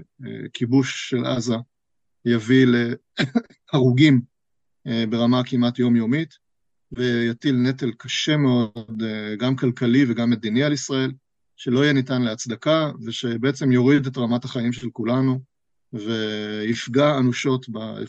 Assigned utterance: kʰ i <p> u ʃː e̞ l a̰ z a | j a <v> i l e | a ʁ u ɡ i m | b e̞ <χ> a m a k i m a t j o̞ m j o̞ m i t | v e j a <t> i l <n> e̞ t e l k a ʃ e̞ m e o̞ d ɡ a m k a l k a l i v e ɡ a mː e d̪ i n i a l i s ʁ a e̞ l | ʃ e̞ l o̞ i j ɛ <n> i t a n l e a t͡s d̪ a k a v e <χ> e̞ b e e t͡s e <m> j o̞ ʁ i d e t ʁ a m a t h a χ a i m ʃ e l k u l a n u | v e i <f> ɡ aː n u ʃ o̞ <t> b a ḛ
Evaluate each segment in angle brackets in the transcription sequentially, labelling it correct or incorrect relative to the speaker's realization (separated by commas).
incorrect, correct, incorrect, correct, correct, correct, incorrect, correct, correct, correct